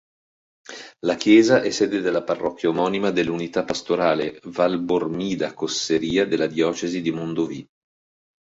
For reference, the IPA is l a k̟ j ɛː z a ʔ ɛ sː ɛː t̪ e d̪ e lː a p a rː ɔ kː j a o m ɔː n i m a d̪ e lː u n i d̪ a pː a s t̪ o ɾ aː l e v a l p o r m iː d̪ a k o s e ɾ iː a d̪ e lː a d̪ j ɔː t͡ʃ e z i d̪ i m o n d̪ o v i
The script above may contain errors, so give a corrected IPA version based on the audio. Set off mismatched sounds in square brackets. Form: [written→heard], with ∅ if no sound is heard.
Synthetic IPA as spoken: l a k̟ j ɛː z a ʔ ɛ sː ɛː [t̪→d̪] e d̪ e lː a p a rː ɔ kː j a o m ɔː n i m a d̪ e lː u n i [d̪→t̪] a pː a s t̪ o ɾ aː l e v a l [p→b] o r m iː d̪ a k o s e ɾ iː a d̪ e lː a d̪ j ɔː t͡ʃ e z i d̪ i m o n d̪ o v i